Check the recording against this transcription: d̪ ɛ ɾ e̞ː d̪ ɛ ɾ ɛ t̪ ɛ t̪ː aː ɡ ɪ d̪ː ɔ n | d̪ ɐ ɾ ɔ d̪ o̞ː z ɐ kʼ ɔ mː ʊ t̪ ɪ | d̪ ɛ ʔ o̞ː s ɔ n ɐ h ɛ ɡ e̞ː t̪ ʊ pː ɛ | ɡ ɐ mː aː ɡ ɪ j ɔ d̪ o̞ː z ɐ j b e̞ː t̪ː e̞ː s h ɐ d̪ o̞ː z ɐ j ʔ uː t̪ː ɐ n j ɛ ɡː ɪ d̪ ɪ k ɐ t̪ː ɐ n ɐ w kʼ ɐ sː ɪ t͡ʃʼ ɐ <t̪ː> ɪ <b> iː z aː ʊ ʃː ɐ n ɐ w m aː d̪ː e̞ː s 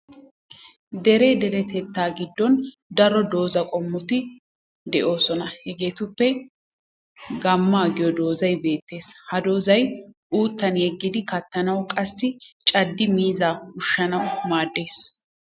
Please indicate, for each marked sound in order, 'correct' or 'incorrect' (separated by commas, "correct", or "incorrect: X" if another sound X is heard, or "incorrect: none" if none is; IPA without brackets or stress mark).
incorrect: d̪ː, incorrect: m